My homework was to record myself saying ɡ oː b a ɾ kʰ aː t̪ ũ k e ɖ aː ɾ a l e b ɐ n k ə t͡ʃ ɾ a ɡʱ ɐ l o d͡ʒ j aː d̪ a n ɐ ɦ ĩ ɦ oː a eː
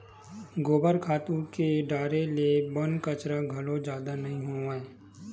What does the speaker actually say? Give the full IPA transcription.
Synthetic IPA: ɡ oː b ə ɾ kʰ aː t̪ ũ k e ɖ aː ɾ e l e b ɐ n k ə t͡ʃ ɾ a ɡʱ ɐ l o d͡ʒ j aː d̪ a n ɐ ɦ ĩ ɦ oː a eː